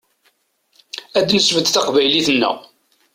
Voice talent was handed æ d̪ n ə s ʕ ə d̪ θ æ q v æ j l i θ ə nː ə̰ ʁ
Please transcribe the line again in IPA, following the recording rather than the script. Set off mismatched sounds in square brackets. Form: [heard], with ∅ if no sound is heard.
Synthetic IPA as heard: æ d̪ n ə s [v] ə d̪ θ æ q v æ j l i θ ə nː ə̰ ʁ